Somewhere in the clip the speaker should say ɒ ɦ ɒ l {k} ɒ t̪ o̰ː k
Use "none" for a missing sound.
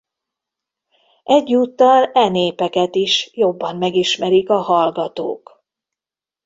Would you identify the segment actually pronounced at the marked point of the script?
ɡ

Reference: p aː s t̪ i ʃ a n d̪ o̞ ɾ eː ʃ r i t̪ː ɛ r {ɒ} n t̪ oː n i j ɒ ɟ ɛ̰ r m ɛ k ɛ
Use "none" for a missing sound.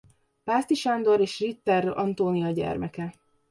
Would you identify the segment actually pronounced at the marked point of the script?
ɒ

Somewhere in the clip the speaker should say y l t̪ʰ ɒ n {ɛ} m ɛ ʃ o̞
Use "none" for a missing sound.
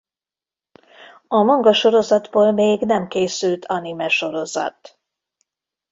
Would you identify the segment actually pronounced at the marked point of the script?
i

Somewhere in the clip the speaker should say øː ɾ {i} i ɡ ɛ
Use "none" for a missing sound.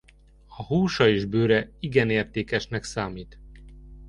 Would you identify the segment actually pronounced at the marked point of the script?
ɛ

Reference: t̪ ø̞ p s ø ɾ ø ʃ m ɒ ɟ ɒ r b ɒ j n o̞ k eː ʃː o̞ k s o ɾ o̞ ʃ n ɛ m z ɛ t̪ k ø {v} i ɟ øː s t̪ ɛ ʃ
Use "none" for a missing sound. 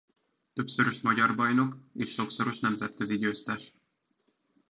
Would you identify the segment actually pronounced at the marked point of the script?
z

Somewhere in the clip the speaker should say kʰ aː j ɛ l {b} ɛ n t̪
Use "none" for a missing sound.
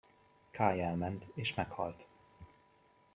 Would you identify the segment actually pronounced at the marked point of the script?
m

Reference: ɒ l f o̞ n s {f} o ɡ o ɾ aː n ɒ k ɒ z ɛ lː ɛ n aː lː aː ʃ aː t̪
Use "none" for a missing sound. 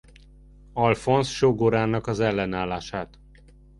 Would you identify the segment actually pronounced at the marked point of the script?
ʃ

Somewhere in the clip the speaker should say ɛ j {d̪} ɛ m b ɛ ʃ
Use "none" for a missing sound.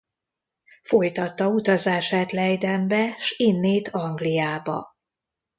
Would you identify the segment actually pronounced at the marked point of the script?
d̪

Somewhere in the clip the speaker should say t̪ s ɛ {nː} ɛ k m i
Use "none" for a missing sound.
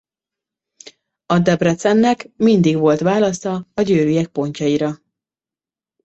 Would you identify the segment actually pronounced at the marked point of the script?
nː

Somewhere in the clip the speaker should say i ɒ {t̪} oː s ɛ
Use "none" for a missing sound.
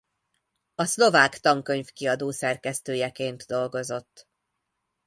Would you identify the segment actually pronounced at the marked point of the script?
d̪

